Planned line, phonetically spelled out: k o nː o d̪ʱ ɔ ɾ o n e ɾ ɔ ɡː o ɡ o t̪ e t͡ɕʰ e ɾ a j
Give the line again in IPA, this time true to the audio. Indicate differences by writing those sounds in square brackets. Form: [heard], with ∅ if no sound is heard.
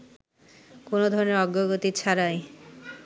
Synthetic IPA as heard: k o [n] o d̪ʱ ɔ ɾ o n e ɾ ɔ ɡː o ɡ o t̪ [i] t͡ɕʰ [a] ɾ a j